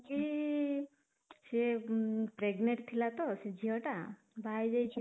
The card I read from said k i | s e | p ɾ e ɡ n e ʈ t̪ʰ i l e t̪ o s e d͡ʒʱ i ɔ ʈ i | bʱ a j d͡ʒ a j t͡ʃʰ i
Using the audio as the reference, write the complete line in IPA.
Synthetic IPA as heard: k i | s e | p ɾ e ɡ n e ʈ t̪ʰ i l a t̪ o s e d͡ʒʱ i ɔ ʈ a | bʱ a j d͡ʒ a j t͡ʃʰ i